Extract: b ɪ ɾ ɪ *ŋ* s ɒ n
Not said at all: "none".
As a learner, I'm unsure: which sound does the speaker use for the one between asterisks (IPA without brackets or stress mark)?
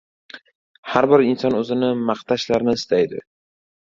n